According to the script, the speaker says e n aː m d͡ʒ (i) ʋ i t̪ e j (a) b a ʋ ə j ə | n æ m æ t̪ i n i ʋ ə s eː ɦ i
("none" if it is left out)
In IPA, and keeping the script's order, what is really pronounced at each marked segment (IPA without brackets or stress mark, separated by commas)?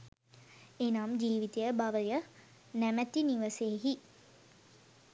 iː, ə